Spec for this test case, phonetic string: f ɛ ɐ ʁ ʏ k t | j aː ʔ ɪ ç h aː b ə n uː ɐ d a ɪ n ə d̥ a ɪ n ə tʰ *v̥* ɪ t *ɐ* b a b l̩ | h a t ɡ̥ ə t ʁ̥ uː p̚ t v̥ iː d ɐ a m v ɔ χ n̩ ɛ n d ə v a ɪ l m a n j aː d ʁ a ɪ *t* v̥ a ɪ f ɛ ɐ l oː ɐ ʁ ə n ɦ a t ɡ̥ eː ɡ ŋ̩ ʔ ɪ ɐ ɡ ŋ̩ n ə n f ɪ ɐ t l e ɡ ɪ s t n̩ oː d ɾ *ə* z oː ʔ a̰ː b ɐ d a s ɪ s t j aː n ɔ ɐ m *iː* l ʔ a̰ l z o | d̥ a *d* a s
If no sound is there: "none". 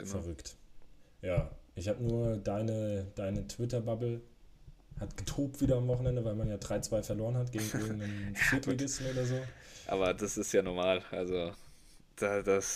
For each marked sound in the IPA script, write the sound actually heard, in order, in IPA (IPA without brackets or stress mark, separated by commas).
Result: v̥, ɐ, t͡s, ɐ, aː, d